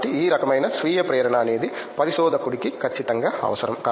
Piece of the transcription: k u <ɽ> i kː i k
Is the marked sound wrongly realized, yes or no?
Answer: no